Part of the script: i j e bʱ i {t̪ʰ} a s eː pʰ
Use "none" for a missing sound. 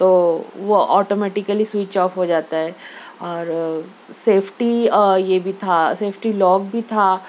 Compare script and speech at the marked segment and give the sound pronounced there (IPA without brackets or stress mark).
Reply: t̪ʰ